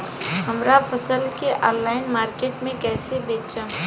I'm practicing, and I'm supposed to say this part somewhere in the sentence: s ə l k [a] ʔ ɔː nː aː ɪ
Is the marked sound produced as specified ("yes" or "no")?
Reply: no